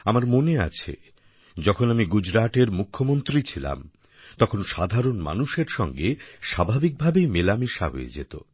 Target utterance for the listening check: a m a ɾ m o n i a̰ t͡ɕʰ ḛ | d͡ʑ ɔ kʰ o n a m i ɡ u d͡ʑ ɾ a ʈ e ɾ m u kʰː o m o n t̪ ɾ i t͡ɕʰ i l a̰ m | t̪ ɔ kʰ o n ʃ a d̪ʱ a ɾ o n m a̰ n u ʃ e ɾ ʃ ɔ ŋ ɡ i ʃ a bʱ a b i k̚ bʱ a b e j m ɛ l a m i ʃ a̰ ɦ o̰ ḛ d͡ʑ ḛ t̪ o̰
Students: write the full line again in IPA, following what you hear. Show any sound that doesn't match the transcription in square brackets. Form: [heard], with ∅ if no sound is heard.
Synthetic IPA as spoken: a m a ɾ m o n [e] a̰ t͡ɕʰ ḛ | d͡ʑ ɔ kʰ o n a m i ɡ u d͡ʑ ɾ a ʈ e ɾ m u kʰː o m o n t̪ ɾ i t͡ɕʰ i l a̰ m | t̪ ɔ kʰ o n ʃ a d̪ʱ a ɾ o n m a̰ n u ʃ e ɾ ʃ ɔ ŋ ɡ [e] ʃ a bʱ a b i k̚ bʱ a b e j m [e] l a m i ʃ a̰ ɦ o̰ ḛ d͡ʑ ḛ t̪ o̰